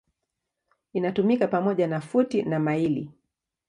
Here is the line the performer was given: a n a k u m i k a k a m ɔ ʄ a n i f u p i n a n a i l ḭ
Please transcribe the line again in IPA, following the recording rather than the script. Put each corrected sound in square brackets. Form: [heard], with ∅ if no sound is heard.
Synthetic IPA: [i] n a [t] u m i k a [p] a m ɔ ʄ a n [a] f u [t] i n a [m] a i l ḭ